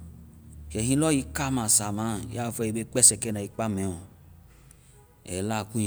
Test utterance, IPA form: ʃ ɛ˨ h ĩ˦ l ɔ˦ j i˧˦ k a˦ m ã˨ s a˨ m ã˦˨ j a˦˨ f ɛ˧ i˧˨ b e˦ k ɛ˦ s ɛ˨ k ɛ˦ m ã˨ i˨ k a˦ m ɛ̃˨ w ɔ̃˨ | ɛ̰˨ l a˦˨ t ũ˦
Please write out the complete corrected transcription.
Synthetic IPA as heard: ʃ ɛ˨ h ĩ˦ l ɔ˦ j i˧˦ k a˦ m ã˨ s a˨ m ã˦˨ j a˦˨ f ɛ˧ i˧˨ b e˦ k͡p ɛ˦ s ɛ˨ k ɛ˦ n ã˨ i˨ k͡p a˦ m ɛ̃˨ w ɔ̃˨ | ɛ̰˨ l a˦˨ k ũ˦